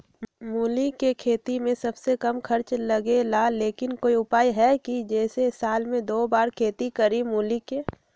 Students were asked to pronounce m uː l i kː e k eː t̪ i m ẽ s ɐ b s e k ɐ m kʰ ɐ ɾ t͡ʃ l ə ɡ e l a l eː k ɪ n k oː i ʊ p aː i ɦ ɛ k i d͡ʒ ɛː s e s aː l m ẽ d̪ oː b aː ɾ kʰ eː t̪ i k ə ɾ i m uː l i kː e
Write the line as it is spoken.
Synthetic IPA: m uː l i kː e kʰ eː t̪ i m ẽ s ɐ b s e k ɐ m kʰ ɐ ɾ t͡ʃ l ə ɡ e l a l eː k ɪ n k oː i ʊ p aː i ɦ ɛ k i d͡ʒ ɛː s e s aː l m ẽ d̪ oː b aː ɾ kʰ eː t̪ i k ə ɾ i m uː l i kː e